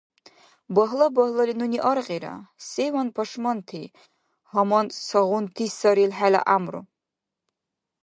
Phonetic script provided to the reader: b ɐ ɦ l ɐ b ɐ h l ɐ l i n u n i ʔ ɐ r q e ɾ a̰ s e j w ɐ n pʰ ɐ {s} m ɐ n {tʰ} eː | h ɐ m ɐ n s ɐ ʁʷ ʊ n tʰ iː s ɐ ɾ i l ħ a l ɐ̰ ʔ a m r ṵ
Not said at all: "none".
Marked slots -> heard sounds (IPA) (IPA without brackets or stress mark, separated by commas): ʂ, tʰ